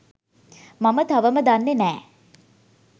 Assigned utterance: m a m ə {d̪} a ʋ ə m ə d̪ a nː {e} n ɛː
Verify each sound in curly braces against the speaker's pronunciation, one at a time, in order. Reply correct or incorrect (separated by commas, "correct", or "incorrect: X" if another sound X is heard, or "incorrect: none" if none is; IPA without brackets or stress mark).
incorrect: t̪, correct